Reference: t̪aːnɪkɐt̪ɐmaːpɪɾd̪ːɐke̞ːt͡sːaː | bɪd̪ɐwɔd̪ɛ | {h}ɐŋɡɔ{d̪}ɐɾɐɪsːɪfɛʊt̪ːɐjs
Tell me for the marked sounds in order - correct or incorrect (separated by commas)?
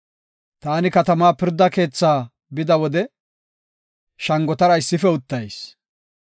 incorrect, incorrect